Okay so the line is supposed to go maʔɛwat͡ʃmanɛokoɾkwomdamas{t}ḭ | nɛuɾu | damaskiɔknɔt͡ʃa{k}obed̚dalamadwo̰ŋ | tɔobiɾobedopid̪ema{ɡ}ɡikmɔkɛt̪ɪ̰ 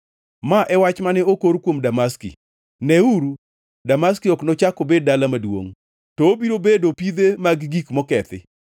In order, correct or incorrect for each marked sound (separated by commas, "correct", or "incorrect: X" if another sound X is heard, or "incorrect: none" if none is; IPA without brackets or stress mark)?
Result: incorrect: k, correct, correct